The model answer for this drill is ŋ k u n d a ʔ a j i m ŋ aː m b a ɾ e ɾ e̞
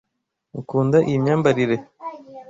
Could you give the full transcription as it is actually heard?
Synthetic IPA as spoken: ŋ k uː n d a ʔ i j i m ɲ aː m b a ɾ i ɾ e̞